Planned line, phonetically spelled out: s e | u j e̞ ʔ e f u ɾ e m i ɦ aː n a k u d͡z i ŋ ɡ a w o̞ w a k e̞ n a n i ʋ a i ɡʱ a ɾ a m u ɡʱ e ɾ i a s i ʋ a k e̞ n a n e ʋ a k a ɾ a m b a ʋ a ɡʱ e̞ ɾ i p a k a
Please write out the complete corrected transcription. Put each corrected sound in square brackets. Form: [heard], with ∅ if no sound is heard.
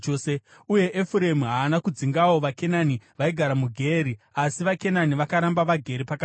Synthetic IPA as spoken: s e | u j e̞ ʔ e f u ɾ e m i ɦ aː n a k u d͡z i ŋ ɡ a w o̞ [ʋ] a k e̞ n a n i ʋ a i ɡʱ a ɾ a m u ɡʱ e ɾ i a s i ʋ a k e̞ n a n [i] ʋ a k a ɾ a m b a ʋ a ɡʱ e̞ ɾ i p a k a